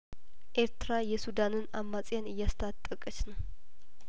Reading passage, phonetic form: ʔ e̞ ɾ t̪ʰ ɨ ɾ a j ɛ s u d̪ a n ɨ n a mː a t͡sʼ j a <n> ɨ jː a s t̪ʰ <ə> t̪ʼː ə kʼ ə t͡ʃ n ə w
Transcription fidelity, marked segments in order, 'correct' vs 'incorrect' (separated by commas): correct, incorrect